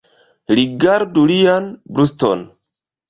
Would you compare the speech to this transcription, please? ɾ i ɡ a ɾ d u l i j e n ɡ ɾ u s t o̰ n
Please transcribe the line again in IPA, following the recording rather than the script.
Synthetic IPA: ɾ i ɡ a ɾ d u l i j a n b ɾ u s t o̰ n